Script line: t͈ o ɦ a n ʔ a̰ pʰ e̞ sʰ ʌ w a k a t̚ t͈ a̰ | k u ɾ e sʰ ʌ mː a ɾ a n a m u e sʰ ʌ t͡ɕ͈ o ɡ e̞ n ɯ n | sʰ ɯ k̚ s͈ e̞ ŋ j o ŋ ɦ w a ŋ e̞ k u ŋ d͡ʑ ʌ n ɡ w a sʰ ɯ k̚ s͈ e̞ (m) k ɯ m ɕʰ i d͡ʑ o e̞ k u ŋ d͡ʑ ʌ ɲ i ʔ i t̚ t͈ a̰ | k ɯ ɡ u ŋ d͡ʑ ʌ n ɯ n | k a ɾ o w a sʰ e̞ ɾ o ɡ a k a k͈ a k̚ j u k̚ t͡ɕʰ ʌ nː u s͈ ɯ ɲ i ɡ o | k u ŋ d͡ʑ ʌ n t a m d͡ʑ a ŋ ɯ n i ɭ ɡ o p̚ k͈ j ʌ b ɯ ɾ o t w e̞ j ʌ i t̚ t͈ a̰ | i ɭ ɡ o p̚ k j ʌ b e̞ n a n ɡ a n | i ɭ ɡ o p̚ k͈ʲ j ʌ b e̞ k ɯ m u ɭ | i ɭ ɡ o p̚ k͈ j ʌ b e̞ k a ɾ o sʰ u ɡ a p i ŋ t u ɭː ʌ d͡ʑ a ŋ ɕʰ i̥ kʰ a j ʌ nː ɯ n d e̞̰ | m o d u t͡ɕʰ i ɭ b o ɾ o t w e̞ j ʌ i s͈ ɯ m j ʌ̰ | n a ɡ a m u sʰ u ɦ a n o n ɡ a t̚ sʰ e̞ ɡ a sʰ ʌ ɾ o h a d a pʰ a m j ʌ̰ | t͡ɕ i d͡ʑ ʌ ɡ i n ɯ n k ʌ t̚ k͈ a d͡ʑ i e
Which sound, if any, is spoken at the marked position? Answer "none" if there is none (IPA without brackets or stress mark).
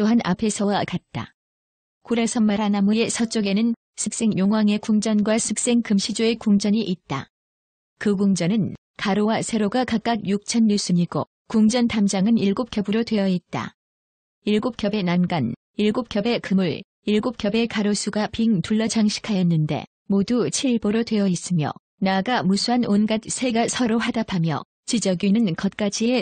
ŋ